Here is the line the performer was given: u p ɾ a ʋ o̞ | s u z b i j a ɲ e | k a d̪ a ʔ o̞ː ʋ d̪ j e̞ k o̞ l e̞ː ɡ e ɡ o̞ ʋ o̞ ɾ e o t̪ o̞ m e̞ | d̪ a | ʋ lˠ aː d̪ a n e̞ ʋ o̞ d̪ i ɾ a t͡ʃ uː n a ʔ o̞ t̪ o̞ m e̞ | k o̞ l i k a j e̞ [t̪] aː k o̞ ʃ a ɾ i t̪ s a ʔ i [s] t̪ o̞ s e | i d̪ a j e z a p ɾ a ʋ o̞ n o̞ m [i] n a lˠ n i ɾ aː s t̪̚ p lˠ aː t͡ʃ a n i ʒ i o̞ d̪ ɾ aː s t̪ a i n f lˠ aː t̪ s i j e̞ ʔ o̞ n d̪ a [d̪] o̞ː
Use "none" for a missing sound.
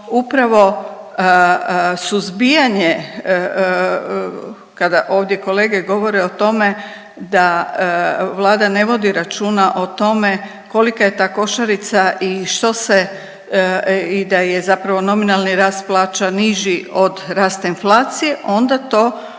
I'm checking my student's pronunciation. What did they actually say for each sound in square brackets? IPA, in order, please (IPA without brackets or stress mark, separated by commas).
t̪, ʃ, i, t̪